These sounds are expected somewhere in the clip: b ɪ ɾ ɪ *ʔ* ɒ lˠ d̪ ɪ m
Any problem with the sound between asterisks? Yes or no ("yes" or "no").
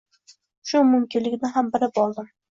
yes